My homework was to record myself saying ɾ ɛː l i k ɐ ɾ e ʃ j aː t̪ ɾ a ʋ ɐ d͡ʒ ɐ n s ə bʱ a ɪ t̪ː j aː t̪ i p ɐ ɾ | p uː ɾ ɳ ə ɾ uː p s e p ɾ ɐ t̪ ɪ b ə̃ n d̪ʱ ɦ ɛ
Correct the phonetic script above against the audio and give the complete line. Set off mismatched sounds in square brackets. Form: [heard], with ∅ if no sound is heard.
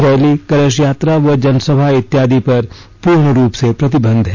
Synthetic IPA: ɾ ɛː l i k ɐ ɾ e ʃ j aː t̪ ɾ a ʋ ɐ d͡ʒ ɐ n s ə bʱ a ɪ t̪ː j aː [d̪] i p ɐ ɾ | p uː ɾ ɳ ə ɾ uː p s e p ɾ ɐ t̪ ɪ b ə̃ n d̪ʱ ɦ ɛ